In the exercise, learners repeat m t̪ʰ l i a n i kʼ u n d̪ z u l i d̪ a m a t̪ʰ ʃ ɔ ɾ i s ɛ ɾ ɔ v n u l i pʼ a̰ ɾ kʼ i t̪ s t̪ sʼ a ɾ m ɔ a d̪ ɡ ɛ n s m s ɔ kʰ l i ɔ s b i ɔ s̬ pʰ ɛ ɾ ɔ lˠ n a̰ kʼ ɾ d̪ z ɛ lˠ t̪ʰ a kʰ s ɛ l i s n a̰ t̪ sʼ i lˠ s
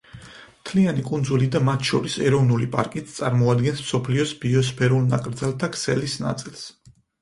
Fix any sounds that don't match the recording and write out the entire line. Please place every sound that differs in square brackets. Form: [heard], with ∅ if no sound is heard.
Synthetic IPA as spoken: m t̪ʰ l i a n i kʼ u n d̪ z u l i d̪ a m a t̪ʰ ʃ ɔ ɾ i s ɛ ɾ ɔ v n u l i pʼ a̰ ɾ kʼ i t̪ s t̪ sʼ a ɾ m ɔ a d̪ ɡ ɛ n s m s ɔ [pʰ] l i ɔ s b i ɔ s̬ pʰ ɛ ɾ [u] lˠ n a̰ kʼ ɾ d̪ z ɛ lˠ t̪ʰ a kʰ s ɛ l i s n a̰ t̪ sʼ i lˠ s